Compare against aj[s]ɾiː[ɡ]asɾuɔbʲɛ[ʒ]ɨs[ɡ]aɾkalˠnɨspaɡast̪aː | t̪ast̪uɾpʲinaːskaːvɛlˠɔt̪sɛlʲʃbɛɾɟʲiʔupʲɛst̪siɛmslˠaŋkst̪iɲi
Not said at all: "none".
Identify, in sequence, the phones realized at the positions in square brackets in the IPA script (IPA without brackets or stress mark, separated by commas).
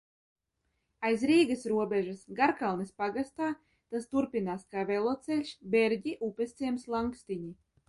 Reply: z, ɡ, ʒ, ɡ